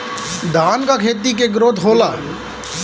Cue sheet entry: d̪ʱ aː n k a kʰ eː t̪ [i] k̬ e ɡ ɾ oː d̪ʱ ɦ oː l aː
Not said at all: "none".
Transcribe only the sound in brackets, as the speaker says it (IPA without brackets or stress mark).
i